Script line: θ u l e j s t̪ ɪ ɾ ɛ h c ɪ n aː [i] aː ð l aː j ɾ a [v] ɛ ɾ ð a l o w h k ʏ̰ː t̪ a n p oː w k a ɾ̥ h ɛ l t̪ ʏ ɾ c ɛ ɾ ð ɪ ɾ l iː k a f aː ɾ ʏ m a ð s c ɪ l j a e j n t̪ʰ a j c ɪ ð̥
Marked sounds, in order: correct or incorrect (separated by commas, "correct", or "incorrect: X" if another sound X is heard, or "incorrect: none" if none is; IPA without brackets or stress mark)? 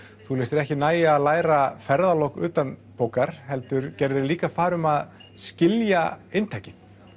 incorrect: j, incorrect: f